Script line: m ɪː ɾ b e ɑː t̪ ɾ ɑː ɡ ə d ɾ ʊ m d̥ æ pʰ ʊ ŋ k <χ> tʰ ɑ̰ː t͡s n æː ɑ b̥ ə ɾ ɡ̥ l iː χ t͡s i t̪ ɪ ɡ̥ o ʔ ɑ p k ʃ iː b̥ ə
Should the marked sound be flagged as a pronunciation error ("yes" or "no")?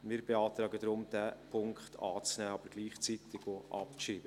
no